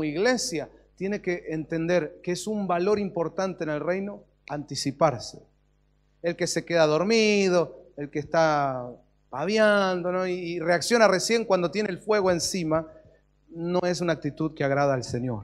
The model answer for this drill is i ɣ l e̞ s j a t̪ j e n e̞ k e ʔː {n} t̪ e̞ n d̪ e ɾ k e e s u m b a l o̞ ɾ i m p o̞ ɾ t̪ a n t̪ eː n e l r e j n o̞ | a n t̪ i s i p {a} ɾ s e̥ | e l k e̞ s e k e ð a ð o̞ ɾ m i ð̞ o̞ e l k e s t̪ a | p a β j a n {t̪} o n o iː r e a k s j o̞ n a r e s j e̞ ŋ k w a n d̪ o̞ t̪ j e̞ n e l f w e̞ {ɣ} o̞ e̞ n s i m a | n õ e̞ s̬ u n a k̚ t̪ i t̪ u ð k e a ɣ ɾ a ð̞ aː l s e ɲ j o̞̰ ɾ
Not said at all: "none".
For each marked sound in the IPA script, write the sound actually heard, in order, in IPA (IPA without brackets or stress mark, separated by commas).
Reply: n, a, d̪, ɣ